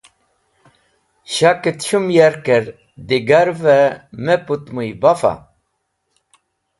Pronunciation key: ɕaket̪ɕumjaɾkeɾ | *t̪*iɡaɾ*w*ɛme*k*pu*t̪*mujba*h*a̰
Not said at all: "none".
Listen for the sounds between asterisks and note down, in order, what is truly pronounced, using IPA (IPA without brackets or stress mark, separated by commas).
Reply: d̪, v, none, t̪, f